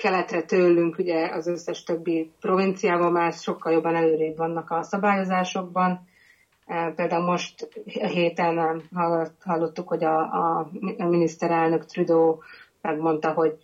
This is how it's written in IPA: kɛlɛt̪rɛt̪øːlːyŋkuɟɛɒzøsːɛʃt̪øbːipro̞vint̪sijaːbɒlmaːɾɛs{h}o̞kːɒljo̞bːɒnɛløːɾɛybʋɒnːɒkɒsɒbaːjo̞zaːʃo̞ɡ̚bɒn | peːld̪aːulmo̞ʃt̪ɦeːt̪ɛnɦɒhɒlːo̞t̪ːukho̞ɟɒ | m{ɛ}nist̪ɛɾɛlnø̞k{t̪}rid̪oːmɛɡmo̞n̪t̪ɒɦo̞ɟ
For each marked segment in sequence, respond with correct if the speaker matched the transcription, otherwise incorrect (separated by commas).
incorrect, incorrect, correct